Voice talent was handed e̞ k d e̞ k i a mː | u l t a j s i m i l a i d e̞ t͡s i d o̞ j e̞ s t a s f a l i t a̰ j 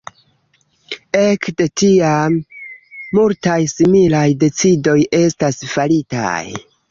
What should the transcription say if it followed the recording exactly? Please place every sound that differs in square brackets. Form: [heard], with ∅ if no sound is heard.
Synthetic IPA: e̞ k d e̞ [t] i a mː | u l t a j s i m i l a [j] d e̞ t͡s i d o̞ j e̞ s t a s f a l i t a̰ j